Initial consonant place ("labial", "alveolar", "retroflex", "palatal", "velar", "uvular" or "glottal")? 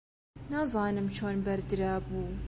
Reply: alveolar